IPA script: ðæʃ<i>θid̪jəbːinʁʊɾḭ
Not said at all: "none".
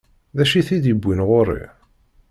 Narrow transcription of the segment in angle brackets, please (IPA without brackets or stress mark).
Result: i